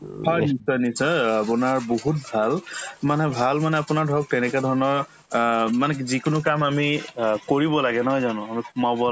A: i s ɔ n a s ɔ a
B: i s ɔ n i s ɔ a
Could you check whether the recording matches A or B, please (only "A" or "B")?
B